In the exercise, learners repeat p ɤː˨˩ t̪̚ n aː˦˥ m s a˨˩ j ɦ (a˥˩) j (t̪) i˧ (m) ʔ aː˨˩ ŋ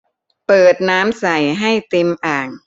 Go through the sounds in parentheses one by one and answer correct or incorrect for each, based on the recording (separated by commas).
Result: correct, correct, correct